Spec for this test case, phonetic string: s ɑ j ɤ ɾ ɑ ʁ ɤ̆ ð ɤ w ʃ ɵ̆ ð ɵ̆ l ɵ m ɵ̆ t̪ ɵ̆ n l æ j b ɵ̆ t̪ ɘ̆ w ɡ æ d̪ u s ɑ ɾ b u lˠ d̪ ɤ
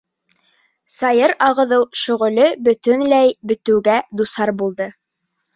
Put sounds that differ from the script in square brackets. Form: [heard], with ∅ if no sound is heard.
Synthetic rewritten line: s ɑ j ɤ ɾ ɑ ʁ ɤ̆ ð ɤ w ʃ ɵ̆ [ʁ] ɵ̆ l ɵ [b] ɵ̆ t̪ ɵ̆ n l æ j b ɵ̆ t̪ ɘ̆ w ɡ æ d̪ u s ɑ ɾ b u lˠ d̪ ɤ